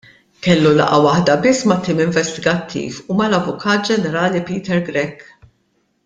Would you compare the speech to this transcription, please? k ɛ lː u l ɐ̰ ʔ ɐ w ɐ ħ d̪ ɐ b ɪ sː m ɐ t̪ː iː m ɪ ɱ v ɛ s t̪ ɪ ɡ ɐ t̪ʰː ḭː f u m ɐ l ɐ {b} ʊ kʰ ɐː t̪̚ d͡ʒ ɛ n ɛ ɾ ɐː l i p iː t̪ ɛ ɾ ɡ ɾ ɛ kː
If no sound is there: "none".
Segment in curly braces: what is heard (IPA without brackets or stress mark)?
v